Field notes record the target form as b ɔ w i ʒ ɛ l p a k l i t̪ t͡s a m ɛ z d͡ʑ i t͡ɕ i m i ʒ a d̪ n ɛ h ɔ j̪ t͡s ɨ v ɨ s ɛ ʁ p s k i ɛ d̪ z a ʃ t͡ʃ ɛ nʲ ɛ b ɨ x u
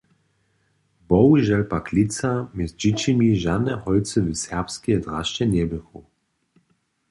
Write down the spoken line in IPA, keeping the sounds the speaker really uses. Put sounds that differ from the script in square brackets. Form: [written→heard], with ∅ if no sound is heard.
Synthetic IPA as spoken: b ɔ w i ʒ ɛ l p a k l i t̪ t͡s a m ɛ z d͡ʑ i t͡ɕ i m i ʒ a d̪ n ɛ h ɔ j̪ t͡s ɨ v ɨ s ɛ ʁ p s k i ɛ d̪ [z→ʁ] a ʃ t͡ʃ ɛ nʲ ɛ b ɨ x u